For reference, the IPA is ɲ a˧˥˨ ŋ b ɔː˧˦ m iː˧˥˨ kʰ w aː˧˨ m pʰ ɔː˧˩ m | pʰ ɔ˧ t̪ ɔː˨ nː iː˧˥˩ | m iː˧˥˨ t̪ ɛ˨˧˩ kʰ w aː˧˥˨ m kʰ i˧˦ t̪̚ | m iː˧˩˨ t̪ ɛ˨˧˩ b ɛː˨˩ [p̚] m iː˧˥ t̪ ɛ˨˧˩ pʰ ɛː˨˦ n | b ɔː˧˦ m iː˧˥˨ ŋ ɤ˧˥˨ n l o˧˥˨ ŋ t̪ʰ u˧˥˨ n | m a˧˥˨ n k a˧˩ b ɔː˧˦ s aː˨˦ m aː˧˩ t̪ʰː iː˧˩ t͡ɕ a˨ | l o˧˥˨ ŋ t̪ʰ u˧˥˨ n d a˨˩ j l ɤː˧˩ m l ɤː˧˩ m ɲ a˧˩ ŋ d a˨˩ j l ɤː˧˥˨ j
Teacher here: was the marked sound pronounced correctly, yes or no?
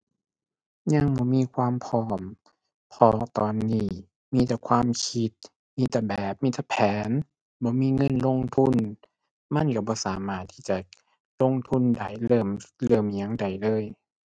yes